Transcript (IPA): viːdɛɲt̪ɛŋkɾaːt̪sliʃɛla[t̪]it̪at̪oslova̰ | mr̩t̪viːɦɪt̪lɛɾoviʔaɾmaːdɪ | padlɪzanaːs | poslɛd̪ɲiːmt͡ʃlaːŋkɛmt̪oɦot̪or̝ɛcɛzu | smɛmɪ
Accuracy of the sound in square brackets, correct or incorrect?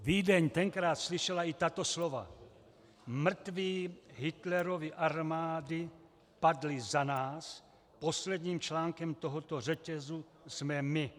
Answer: incorrect